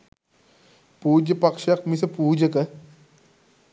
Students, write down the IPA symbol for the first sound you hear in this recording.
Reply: p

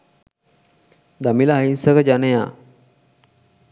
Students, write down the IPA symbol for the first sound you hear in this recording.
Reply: d̪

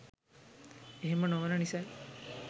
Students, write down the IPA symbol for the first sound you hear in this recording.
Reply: e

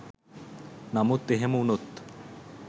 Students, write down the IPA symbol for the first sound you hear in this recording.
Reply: n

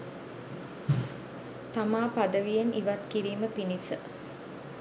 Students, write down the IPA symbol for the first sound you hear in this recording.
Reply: t̪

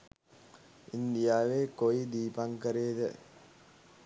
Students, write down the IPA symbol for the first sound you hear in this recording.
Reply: i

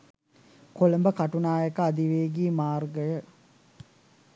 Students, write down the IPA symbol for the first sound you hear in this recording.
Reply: k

